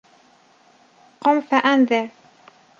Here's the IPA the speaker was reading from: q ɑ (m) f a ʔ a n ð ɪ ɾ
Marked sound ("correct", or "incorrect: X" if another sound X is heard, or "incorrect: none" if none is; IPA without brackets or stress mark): correct